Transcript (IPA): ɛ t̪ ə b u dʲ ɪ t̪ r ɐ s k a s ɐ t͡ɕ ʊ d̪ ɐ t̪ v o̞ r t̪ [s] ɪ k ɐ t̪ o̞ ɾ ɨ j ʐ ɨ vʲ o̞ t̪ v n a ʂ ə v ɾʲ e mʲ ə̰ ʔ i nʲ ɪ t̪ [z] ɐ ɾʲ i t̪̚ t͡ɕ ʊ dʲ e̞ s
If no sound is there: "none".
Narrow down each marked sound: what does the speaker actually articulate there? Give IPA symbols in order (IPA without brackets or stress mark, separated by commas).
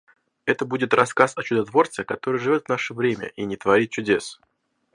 s, v